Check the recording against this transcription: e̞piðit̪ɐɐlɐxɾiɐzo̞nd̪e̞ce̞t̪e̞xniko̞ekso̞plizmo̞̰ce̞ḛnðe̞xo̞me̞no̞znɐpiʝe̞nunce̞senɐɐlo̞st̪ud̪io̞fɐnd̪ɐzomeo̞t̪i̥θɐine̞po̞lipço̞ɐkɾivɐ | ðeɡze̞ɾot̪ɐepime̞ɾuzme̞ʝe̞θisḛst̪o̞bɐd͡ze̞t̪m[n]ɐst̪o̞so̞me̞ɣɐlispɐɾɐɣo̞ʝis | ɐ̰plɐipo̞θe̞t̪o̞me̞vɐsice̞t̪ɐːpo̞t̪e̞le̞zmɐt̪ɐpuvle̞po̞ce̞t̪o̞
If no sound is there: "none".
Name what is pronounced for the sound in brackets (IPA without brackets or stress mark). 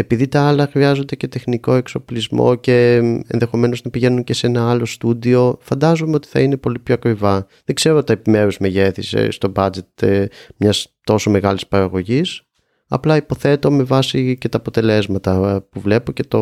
ɲ